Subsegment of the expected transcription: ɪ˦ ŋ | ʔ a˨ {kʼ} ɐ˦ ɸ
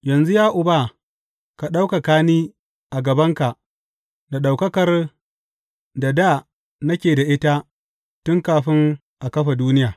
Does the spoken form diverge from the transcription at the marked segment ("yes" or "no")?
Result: yes